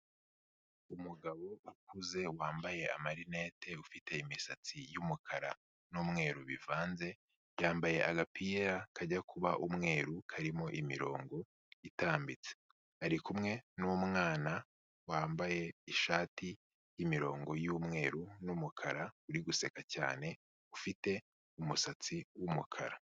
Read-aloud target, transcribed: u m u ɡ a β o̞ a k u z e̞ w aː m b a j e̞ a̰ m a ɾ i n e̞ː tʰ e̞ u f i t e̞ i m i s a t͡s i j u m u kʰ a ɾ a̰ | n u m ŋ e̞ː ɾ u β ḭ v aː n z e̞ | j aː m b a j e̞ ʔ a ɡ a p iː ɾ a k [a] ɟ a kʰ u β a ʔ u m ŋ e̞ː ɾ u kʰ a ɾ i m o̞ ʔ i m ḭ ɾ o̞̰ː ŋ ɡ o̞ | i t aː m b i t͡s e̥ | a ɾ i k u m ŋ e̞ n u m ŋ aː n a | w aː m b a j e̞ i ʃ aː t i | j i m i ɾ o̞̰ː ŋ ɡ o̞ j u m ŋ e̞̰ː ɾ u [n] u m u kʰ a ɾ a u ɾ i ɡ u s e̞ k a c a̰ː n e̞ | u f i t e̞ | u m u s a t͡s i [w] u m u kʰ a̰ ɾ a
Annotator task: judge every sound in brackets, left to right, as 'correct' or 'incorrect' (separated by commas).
correct, correct, correct